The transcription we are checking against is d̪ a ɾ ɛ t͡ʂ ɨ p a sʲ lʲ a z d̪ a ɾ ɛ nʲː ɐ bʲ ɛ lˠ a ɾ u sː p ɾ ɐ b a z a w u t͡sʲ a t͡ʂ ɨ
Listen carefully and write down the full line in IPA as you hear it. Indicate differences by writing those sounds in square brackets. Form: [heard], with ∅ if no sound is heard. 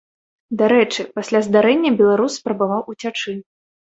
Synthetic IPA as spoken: d̪ a ɾ ɛ t͡ʂ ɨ p a sʲ lʲ a z d̪ a ɾ ɛ nʲː ɐ bʲ ɛ lˠ a ɾ u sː p ɾ ɐ b a [v] a w u t͡sʲ a t͡ʂ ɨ